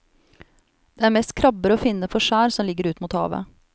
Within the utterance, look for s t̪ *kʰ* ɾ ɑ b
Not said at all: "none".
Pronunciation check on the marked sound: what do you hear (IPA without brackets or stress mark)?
kʰ